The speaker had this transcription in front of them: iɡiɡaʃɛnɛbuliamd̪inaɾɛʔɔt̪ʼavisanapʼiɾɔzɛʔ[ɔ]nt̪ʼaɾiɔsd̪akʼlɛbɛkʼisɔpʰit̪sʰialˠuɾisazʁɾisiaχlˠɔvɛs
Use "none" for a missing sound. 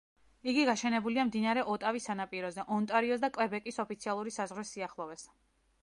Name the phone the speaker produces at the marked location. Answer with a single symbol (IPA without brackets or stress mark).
ɔ